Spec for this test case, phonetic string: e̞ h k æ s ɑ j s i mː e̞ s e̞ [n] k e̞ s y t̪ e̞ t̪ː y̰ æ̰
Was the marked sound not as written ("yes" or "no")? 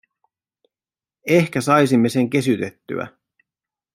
yes